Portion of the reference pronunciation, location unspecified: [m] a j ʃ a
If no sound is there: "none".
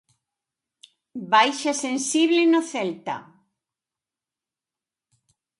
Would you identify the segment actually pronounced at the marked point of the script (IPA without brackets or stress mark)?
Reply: b